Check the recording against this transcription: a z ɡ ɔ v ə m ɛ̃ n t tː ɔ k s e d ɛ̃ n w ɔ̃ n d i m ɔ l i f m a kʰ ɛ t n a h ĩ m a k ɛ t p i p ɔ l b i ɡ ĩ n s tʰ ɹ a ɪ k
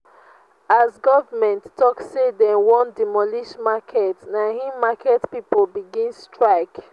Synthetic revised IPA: a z ɡ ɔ v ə m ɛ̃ n t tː ɔ k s e d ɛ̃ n w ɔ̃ n d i m ɔ l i ʃ m a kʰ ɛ t n a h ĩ m a k ɛ t p i p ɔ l b i ɡ ĩ n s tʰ ɹ a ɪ k